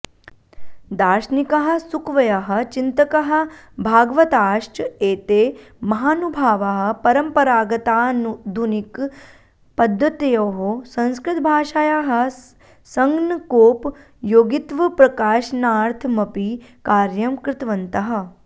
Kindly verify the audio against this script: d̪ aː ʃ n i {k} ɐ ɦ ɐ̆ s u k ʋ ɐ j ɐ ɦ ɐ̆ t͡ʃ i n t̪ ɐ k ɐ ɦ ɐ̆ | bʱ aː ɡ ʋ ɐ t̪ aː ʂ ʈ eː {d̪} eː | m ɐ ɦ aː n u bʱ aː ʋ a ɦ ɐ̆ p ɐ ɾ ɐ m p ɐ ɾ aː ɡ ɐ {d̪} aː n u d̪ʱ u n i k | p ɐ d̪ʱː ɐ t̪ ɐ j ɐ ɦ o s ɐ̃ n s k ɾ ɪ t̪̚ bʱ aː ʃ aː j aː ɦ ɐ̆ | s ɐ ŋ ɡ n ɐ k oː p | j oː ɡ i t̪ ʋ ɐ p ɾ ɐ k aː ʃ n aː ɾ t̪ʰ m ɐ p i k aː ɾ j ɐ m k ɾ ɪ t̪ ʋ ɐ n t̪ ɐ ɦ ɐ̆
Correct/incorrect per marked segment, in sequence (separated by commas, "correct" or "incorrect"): correct, incorrect, incorrect